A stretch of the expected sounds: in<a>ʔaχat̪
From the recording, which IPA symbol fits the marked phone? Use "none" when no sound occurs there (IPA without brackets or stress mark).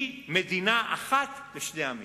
a